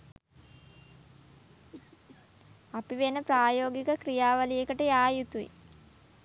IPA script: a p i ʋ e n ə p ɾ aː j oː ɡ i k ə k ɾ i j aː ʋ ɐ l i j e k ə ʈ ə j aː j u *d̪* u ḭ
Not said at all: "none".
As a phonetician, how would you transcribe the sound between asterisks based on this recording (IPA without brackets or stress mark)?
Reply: t̪